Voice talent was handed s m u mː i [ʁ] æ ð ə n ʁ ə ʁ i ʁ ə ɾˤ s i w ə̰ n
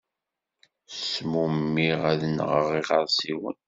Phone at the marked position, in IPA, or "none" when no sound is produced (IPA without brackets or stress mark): ʁ